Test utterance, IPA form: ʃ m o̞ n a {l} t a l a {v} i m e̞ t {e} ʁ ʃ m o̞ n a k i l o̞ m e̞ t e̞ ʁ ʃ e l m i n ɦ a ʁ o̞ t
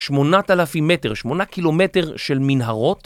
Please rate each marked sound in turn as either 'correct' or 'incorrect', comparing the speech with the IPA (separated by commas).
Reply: incorrect, incorrect, correct